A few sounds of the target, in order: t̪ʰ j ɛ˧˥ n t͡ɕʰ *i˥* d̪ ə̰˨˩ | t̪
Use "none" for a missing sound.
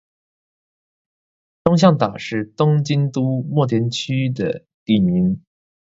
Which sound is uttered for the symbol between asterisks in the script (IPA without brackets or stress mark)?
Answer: y˥